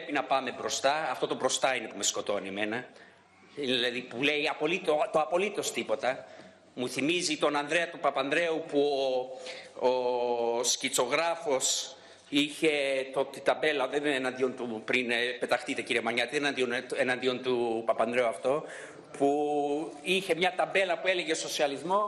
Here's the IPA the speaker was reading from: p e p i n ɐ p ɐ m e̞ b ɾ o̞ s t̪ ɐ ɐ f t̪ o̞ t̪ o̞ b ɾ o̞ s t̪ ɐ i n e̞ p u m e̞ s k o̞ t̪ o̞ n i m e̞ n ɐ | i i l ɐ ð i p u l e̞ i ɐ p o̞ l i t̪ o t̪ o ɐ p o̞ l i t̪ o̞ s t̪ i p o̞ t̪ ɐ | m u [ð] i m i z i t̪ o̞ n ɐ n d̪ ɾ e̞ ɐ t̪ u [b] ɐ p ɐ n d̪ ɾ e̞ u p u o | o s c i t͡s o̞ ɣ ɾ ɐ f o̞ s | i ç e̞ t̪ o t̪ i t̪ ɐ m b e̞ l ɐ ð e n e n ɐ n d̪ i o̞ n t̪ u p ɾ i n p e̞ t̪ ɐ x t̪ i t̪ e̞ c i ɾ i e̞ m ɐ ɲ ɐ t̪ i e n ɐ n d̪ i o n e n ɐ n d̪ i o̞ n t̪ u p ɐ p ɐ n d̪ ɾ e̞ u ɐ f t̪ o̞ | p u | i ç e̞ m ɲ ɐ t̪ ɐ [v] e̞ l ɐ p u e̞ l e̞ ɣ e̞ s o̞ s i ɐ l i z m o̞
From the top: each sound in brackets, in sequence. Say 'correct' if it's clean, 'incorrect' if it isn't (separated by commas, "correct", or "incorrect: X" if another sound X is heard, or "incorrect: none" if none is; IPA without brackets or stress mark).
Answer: incorrect: θ, incorrect: p, incorrect: b